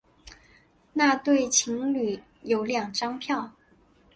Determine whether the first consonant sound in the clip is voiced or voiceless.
voiced